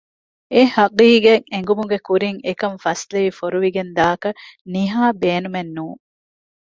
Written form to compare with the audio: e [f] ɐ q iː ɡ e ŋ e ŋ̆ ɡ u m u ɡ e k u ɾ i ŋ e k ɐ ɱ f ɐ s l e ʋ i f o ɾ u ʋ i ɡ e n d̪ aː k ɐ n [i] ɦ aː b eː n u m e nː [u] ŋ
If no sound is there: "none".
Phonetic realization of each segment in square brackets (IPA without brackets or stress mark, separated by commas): h, i, uː